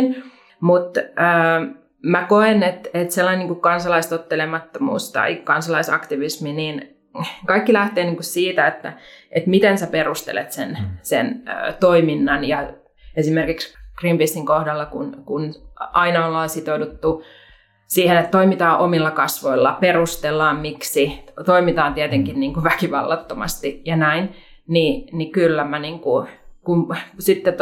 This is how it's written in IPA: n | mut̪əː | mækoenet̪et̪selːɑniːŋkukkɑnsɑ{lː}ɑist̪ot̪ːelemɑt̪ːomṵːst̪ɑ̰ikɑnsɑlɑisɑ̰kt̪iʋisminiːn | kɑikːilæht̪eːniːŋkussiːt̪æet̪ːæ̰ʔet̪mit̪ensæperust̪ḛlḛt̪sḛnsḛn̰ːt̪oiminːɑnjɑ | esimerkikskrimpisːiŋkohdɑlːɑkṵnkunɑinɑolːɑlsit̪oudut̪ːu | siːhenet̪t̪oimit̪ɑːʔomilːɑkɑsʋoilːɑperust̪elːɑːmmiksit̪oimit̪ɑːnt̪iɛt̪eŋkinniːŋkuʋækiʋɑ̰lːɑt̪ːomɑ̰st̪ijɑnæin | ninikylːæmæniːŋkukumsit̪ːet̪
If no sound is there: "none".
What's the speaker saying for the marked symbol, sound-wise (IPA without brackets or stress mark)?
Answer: l